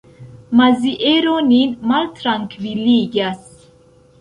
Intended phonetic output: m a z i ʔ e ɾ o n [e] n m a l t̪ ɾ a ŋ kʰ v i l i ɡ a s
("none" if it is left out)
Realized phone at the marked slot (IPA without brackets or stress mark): i